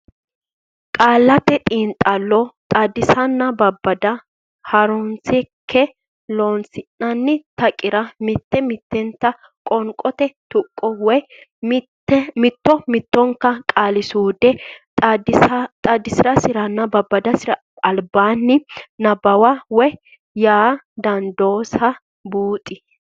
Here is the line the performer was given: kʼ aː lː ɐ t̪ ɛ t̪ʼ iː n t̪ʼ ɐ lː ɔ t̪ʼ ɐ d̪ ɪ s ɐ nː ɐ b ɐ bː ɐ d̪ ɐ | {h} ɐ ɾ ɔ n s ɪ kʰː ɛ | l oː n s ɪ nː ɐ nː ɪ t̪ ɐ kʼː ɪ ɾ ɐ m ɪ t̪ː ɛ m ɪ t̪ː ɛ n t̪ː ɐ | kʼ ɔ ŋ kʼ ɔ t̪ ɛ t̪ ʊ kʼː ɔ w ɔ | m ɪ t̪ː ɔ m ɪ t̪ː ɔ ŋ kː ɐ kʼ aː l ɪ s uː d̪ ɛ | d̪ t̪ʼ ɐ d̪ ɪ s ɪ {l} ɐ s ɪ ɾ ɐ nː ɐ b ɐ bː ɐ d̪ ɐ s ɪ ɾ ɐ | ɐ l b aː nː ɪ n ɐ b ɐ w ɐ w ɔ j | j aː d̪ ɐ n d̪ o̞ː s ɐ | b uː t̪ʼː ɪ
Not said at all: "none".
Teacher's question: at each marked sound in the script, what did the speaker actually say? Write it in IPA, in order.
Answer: h, ɾ

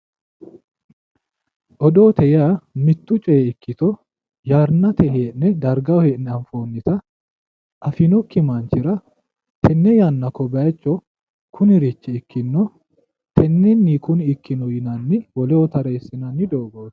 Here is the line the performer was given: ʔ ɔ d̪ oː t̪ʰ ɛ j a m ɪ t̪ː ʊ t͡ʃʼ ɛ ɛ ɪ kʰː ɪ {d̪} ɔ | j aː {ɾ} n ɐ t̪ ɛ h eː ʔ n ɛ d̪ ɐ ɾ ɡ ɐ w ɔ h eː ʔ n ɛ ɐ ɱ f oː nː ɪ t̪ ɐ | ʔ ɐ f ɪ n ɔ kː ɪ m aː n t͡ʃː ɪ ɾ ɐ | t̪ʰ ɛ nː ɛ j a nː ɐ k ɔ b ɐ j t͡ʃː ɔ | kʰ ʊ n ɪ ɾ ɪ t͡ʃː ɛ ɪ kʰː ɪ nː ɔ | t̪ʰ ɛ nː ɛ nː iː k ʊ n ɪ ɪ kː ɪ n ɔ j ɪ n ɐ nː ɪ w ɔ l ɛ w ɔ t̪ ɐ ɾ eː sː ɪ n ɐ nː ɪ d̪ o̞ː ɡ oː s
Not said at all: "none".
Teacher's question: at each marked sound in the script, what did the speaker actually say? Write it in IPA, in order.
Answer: t̪, ɾ

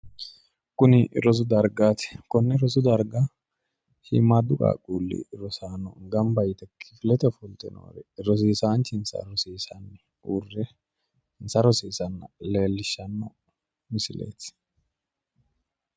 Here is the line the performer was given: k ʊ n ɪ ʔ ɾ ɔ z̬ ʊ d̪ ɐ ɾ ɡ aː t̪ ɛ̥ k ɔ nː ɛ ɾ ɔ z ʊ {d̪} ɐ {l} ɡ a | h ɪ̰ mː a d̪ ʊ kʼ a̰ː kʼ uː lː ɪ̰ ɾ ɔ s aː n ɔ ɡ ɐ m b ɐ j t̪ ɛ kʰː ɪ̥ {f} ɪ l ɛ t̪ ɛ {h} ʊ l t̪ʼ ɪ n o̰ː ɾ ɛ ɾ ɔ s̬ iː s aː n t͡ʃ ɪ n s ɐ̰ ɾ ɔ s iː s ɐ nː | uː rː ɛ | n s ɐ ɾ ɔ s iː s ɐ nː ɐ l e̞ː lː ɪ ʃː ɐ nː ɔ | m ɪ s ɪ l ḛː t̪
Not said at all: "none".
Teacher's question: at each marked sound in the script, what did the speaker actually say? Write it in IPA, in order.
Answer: d̪, ɾ, f, f

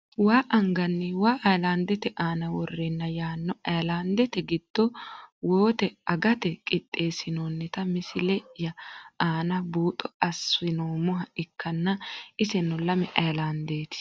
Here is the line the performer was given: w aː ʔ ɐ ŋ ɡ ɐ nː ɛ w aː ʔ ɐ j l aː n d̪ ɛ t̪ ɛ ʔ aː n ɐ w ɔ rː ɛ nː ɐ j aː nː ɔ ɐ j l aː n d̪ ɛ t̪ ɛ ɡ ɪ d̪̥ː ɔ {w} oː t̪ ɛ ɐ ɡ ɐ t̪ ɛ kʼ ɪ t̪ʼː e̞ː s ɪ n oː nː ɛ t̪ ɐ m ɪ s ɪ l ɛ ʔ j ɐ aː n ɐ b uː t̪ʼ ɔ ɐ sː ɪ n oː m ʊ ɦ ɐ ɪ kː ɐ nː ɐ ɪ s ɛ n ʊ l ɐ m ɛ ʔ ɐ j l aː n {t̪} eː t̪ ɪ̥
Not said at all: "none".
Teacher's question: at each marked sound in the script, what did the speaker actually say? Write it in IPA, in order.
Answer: w, d̪

